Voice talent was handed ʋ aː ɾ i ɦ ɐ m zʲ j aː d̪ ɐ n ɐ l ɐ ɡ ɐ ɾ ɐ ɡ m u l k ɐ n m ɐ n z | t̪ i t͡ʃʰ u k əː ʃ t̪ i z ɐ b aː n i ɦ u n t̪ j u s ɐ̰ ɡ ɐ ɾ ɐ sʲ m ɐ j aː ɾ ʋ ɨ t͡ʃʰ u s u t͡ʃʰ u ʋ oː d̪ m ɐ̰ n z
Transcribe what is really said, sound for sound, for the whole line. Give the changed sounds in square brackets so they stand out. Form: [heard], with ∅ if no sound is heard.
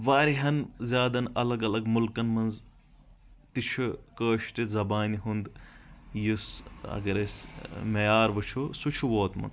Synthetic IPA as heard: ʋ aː ɾ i ɦ ɐ [n] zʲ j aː d̪ ɐ n ɐ l ɐ ɡ ɐ [l] ɐ ɡ m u l k ɐ n m ɐ n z | t̪ i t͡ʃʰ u k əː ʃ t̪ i z ɐ b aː n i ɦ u n [d̪] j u s ɐ̰ ɡ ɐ ɾ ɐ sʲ m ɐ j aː ɾ ʋ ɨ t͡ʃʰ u s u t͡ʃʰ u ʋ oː [t̪] m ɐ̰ n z